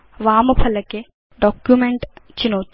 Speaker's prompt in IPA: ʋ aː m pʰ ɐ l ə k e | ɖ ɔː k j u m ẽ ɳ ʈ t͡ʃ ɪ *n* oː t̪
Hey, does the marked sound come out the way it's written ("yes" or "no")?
yes